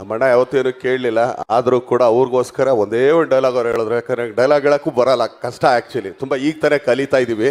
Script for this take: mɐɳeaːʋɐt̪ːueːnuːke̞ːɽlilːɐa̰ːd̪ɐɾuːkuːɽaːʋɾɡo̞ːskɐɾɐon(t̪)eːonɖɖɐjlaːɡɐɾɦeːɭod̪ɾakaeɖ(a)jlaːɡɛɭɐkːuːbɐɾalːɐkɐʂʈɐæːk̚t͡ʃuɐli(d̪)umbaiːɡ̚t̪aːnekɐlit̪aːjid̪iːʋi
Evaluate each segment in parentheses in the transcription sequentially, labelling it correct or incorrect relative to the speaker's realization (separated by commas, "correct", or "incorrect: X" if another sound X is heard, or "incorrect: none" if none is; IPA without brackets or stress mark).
incorrect: d̪, incorrect: ɐ, incorrect: t̪